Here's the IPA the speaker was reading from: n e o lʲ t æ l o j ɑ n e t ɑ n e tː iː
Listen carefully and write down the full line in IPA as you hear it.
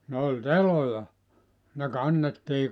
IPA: n e o lʲ t e l o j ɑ n e k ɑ nː e tː iː